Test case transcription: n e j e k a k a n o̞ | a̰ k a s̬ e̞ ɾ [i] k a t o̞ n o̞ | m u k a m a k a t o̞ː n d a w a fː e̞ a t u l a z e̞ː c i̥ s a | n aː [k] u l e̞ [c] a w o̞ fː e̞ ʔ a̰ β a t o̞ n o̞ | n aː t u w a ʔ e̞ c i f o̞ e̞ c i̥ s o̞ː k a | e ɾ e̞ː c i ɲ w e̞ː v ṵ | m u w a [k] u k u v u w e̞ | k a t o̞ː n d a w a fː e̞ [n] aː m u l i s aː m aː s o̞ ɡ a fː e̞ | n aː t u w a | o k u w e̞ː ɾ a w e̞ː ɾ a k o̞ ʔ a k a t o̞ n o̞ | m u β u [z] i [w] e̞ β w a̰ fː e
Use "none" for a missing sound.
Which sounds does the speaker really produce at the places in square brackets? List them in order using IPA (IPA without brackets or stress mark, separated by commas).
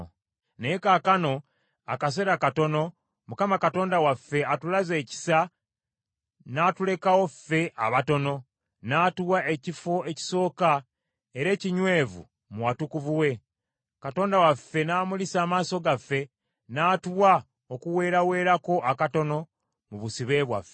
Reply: a, t, k, t, n, s, β